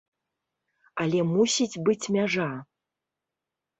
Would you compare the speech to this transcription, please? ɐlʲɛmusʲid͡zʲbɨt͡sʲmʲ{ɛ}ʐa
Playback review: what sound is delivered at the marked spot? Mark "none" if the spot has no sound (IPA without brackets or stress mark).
a